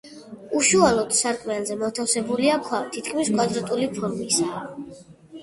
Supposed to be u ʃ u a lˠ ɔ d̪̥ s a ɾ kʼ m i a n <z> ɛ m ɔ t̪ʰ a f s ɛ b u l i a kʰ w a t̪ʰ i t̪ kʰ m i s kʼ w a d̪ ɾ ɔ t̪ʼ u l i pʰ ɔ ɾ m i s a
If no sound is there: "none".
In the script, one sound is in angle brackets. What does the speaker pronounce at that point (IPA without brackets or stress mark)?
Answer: z